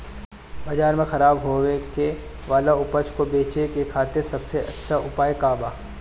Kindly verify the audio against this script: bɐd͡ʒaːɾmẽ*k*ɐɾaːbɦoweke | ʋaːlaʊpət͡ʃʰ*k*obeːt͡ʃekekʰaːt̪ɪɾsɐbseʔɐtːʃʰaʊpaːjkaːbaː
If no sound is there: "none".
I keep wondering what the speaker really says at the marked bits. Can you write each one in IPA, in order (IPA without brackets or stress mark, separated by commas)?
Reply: x, k